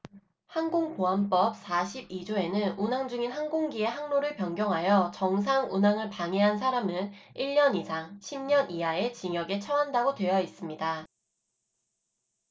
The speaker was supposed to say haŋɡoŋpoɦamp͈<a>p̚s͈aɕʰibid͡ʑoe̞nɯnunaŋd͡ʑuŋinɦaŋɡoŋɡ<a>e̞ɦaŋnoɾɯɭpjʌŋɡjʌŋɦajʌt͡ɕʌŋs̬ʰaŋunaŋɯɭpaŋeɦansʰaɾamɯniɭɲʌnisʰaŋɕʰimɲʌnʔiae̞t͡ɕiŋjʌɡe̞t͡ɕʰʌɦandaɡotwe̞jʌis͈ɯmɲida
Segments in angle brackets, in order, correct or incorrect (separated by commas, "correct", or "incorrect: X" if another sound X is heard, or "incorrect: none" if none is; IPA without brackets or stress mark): incorrect: ʌ, incorrect: i